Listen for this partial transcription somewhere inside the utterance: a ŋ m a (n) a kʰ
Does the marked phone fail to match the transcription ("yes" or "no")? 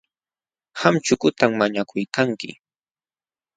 yes